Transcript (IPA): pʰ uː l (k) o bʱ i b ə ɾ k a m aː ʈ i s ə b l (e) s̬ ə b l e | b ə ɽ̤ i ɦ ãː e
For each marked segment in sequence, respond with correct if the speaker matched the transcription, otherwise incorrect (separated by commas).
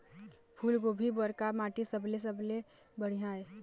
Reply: incorrect, correct